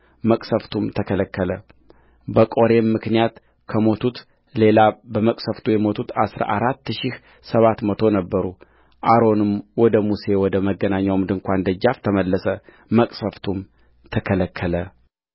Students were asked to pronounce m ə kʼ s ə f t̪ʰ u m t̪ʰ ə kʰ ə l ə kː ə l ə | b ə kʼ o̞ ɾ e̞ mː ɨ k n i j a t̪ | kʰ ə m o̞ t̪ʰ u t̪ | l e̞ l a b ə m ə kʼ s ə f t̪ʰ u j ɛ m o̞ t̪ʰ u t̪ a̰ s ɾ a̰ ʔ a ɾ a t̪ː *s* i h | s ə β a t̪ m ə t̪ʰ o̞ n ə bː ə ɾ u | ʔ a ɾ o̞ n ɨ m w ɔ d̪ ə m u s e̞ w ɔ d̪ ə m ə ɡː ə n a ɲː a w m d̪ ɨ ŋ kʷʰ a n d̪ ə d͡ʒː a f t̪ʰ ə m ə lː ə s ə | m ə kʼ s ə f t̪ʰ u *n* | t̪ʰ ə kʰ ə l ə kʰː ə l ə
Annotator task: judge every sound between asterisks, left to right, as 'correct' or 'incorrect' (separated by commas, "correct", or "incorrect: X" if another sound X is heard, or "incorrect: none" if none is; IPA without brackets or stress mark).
incorrect: ʃ, incorrect: m